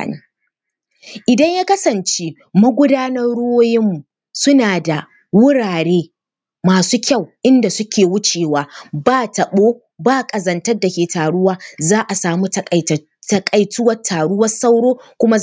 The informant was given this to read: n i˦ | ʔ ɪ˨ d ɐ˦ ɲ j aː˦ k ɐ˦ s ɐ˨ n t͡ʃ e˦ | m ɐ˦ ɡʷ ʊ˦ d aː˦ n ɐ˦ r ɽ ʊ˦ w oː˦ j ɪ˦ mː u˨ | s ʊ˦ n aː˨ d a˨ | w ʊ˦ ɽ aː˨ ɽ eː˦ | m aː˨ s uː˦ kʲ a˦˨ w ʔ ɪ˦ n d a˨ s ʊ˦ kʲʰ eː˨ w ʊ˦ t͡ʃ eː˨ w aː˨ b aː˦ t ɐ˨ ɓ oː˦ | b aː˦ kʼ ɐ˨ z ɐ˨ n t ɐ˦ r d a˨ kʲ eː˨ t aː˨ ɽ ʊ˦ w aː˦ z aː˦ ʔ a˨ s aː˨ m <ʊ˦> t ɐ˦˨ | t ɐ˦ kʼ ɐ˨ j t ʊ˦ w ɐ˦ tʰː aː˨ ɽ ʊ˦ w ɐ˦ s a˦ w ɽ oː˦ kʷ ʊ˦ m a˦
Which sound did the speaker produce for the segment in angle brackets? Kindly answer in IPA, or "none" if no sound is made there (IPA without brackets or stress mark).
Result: u˦